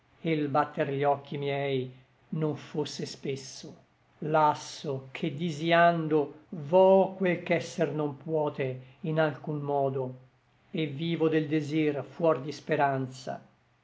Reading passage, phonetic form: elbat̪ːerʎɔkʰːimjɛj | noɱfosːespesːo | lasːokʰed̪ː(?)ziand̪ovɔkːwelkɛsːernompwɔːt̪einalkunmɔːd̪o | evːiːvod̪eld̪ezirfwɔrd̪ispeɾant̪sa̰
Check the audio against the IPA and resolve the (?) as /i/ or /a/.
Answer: i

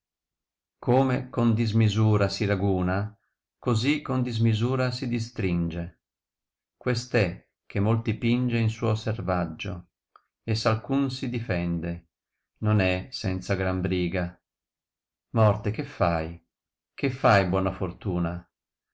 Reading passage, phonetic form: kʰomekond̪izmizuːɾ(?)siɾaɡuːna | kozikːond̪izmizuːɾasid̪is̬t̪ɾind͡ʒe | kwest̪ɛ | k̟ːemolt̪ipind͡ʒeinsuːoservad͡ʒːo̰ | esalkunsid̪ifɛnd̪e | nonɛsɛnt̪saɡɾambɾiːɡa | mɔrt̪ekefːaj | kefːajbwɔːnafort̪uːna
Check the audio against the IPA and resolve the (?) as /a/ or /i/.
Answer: a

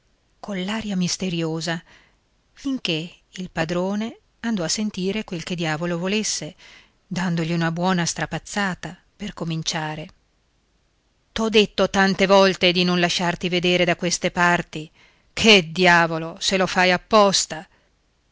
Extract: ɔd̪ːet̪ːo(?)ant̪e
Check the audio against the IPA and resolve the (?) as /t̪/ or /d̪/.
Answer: t̪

